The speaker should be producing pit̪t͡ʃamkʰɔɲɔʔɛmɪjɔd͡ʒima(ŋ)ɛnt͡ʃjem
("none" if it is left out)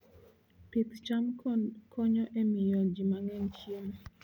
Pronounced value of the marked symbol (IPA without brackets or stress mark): ŋ